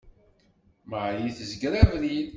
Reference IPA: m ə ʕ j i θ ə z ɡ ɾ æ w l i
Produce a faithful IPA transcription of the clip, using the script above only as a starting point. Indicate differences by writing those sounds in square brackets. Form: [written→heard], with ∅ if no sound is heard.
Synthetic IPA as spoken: m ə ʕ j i θ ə z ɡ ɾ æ [w→v] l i